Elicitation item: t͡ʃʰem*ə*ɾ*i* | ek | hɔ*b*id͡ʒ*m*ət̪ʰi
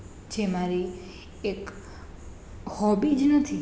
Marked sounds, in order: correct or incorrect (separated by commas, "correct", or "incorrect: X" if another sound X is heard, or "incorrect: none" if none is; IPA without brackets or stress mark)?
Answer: incorrect: a, correct, correct, incorrect: n